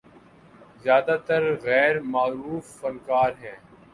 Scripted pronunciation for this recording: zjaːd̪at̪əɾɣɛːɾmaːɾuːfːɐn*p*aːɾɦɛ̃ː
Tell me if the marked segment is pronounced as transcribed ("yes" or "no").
no